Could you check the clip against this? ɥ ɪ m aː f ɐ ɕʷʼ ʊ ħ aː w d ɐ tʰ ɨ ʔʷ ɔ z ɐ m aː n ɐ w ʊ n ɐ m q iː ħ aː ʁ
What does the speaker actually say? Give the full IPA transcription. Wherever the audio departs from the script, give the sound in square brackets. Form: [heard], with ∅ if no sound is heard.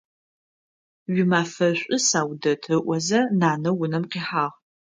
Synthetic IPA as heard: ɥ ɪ m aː f ɐ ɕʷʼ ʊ [s] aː w d ɐ tʰ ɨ ʔʷ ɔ z ɐ [n] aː n ɐ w ʊ n ɐ m q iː ħ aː ʁ